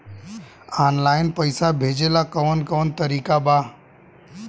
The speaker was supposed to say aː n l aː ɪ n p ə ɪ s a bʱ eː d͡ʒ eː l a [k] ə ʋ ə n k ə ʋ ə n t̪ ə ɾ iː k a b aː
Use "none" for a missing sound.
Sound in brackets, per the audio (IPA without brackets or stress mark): k